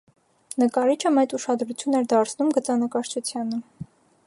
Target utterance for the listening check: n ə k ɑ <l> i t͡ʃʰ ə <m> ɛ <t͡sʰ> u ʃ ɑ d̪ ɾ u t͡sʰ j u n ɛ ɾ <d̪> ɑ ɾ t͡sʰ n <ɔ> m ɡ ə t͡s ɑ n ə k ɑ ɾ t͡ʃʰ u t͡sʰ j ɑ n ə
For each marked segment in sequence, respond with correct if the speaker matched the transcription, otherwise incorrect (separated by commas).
incorrect, correct, incorrect, correct, incorrect